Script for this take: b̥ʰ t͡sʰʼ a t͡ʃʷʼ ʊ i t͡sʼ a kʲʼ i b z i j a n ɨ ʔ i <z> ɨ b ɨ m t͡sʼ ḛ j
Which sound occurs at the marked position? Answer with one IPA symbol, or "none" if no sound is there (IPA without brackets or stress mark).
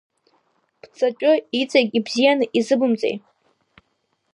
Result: z